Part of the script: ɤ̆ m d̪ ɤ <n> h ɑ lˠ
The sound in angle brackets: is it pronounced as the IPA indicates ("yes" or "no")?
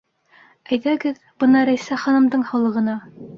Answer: no